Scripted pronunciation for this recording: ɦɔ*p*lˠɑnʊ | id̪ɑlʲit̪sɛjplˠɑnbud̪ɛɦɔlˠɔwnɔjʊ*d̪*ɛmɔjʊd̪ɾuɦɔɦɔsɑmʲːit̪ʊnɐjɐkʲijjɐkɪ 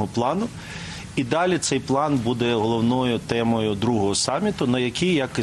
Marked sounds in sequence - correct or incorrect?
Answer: correct, incorrect

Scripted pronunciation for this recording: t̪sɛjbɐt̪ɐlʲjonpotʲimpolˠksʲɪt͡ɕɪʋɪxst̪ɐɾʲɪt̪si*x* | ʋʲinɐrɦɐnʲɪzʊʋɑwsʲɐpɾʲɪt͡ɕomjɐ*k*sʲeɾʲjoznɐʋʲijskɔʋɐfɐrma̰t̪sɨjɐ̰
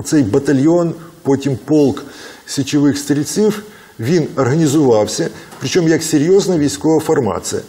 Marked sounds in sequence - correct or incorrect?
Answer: incorrect, correct

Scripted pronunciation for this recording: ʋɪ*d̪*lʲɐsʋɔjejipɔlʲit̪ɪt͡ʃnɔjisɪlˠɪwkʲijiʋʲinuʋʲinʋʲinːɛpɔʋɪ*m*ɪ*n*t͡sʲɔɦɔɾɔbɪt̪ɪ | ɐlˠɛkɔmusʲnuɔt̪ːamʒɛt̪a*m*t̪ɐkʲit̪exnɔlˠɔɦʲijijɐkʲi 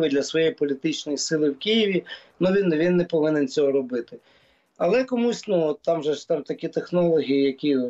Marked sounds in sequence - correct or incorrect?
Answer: correct, incorrect, correct, correct

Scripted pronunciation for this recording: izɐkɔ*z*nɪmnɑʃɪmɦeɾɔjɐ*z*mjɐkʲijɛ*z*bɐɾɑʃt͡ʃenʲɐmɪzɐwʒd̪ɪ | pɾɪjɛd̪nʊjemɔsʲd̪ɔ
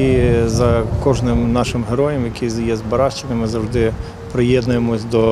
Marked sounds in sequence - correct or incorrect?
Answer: incorrect, incorrect, correct

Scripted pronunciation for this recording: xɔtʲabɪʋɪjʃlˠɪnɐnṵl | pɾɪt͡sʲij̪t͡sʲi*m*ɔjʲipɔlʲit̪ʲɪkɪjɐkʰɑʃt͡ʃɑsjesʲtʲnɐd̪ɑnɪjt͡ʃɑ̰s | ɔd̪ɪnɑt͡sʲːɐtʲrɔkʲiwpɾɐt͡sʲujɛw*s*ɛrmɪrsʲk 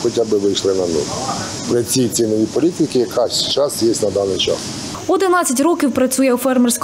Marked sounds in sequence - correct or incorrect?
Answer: incorrect, incorrect

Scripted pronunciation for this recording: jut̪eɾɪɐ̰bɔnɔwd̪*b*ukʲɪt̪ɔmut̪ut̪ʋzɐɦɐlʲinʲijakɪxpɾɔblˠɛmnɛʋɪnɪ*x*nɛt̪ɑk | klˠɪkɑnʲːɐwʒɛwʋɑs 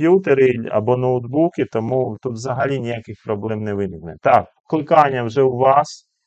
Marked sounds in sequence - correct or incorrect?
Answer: correct, incorrect

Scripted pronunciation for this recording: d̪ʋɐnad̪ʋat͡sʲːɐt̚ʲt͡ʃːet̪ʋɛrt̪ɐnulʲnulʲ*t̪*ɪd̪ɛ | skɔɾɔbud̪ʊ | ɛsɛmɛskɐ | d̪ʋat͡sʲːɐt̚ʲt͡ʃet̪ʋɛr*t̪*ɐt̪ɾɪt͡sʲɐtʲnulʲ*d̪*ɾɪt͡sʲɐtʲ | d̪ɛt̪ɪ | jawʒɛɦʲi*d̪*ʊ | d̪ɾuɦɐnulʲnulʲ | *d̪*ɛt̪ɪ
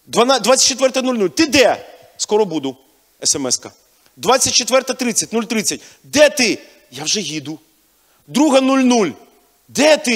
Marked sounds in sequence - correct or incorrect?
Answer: correct, correct, incorrect, correct, correct

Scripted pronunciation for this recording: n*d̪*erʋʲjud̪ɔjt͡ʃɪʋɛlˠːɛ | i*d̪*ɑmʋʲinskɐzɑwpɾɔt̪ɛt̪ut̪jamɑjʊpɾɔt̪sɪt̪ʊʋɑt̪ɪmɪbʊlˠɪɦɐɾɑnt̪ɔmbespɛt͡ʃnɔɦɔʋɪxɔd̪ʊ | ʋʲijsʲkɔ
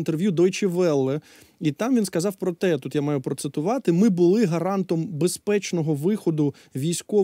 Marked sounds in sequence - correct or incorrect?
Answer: incorrect, incorrect

